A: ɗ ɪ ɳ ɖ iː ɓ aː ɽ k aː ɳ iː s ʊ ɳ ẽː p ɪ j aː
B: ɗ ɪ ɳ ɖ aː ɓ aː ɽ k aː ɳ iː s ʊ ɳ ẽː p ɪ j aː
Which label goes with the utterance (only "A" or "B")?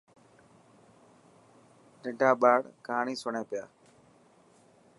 B